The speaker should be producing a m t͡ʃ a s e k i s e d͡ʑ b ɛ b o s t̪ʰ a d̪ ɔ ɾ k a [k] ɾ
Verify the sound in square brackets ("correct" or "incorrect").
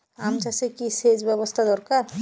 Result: incorrect